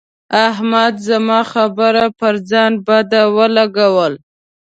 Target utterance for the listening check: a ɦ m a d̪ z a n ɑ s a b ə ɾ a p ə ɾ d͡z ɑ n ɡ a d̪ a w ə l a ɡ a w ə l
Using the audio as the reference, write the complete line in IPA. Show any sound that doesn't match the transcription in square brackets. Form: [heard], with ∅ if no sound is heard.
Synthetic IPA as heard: a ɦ m a d̪ z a [m] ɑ [x] a b ə ɾ a p ə ɾ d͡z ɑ n [b] a d̪ a w ə l a ɡ a w ə l